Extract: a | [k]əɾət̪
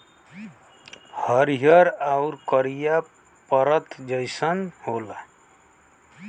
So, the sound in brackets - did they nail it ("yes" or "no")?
no